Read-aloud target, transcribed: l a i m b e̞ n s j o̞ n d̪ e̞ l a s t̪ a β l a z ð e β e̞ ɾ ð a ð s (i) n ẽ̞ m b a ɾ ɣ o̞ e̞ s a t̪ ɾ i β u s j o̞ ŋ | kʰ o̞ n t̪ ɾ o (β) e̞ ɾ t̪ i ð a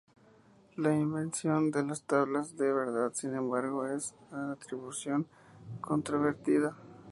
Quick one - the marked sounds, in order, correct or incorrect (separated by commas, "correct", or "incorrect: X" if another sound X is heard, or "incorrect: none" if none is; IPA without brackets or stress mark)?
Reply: correct, correct